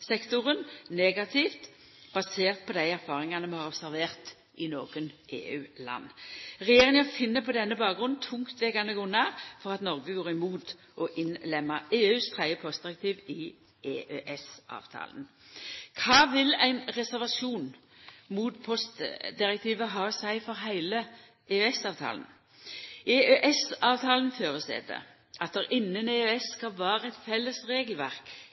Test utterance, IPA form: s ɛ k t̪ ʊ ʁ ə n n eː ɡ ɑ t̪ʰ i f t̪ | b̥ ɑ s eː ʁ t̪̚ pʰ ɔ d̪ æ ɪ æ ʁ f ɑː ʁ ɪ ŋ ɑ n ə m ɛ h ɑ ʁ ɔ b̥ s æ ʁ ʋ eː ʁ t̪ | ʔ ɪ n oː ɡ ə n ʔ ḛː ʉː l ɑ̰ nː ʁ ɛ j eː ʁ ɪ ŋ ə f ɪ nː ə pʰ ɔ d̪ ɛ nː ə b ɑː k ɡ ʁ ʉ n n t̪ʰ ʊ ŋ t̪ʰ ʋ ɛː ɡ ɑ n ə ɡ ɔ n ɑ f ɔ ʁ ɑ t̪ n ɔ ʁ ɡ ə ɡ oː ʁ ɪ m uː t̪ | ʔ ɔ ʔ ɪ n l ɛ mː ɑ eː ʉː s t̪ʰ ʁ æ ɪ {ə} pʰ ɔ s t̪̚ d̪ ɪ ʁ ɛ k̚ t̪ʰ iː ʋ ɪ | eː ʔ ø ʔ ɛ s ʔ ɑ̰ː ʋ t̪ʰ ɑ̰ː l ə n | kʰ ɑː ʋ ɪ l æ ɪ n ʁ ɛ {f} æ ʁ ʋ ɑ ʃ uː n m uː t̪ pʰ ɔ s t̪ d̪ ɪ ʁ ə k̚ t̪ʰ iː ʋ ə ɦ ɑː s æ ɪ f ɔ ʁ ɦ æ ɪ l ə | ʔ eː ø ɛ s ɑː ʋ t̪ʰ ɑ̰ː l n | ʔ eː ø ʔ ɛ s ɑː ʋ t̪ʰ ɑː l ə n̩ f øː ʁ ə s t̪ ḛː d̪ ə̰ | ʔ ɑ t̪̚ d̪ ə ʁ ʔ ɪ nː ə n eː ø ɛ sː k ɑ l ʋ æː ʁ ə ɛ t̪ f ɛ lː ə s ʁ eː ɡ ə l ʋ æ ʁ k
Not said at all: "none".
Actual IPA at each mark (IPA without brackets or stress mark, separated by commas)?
ə, s